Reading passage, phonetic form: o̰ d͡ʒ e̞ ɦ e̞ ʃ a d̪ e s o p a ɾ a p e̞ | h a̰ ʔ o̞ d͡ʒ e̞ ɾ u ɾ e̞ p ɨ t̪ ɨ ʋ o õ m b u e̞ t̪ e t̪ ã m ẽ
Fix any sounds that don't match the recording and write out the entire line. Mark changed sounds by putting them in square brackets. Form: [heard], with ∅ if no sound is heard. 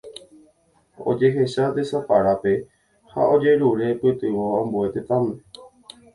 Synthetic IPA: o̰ d͡ʒ e̞ ɦ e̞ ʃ a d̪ e s o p a ɾ a p e̞ | h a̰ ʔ o̞ d͡ʒ e̞ ɾ u ɾ e̞ p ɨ t̪ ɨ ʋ o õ m b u e̞ t̪ e t̪ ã m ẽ